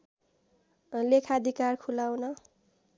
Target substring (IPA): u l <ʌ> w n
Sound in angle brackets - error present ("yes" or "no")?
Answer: yes